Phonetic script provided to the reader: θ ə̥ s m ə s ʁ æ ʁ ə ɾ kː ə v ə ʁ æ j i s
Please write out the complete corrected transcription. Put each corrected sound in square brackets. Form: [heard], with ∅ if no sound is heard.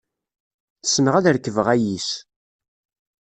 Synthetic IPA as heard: θ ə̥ s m ə [∅] ʁ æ [ð] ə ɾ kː ə v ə ʁ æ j i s